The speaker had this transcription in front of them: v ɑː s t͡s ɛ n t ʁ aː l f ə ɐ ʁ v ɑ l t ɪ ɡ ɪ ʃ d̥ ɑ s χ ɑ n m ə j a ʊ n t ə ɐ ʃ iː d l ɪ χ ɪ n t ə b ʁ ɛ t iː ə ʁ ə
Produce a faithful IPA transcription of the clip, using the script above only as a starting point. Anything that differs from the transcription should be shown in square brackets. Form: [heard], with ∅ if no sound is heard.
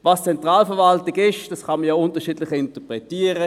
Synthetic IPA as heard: v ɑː s t͡s ɛ n t ʁ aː l f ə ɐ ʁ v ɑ l t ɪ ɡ ɪ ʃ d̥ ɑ s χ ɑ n m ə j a ʊ n t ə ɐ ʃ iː d l ɪ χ ɪ n t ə [p] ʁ ɛ t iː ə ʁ ə